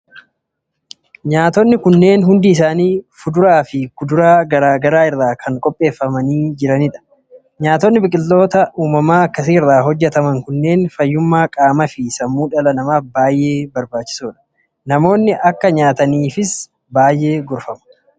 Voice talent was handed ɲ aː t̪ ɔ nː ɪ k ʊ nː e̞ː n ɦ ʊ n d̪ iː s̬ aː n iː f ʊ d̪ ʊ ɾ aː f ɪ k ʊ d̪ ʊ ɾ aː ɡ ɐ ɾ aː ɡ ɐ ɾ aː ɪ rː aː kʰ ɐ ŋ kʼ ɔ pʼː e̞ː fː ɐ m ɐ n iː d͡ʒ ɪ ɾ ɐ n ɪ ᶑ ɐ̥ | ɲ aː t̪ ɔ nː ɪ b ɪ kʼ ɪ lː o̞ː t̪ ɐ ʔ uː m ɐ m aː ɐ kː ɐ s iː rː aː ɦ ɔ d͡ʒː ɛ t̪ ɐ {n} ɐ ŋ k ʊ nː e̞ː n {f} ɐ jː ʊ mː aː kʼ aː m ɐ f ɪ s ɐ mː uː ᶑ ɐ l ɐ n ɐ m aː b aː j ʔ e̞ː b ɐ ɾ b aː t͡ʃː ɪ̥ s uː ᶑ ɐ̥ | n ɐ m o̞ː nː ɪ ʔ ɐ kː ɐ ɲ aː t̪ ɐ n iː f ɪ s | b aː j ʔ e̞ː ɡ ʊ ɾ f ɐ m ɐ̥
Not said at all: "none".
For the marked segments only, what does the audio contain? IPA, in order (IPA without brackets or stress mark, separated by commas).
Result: m, f